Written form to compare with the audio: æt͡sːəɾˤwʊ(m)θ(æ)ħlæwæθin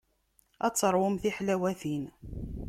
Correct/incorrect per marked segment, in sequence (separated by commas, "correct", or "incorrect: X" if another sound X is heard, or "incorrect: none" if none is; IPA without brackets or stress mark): correct, incorrect: i